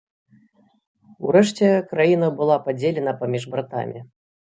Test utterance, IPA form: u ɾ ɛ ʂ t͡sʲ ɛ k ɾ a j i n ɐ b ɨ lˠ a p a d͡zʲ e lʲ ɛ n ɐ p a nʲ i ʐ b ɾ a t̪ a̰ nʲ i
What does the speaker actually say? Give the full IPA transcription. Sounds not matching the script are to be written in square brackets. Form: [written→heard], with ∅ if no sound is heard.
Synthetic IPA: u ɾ ɛ ʂ t͡sʲ ɛ k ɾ a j i n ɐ b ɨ lˠ a p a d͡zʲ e lʲ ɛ n ɐ p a [nʲ→mʲ] i ʐ b ɾ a t̪ a̰ [nʲ→mʲ] i